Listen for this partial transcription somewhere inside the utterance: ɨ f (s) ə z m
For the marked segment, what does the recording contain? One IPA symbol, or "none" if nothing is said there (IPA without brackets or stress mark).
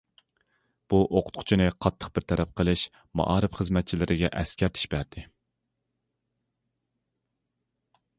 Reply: χ